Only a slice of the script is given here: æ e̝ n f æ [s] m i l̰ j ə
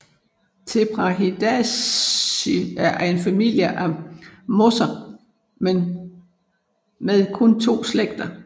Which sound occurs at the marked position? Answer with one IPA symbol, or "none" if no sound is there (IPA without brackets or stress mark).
none